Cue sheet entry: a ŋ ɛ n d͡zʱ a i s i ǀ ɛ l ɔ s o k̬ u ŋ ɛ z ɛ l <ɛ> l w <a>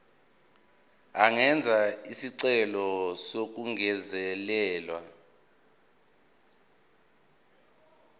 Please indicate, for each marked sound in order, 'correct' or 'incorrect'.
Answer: incorrect, correct

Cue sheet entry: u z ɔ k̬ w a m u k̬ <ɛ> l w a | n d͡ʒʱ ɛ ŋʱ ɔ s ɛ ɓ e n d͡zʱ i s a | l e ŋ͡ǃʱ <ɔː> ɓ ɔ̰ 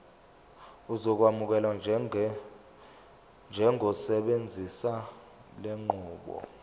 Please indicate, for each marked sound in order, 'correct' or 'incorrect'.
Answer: correct, incorrect

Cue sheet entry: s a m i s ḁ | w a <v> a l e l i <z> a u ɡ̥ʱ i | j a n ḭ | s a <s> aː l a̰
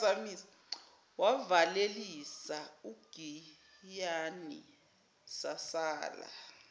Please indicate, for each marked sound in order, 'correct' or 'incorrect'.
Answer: correct, incorrect, correct

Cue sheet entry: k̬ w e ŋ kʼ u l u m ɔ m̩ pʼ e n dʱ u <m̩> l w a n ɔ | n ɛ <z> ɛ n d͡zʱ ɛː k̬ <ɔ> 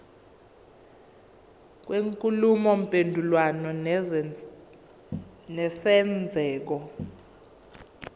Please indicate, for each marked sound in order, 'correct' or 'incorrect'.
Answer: incorrect, incorrect, correct

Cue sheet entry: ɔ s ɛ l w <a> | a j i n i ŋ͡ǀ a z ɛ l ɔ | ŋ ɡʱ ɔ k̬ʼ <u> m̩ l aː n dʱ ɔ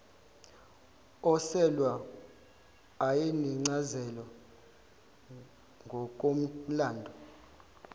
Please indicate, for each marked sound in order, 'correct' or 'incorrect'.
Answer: correct, incorrect

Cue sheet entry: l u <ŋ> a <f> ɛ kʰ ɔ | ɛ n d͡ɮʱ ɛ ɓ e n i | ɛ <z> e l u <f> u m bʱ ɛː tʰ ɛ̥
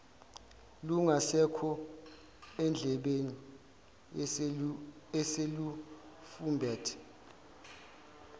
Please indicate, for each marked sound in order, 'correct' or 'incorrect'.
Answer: correct, incorrect, incorrect, correct

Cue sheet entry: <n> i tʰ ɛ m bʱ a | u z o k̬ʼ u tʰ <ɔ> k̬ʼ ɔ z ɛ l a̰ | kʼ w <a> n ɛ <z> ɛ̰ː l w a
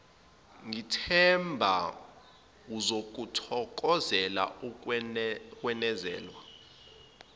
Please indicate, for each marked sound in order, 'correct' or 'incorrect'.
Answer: incorrect, correct, incorrect, correct

